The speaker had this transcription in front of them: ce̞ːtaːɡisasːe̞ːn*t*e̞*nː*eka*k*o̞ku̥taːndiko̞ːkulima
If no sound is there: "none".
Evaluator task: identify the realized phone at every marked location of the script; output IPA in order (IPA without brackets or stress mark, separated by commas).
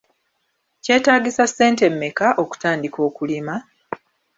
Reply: t, mː, ʔ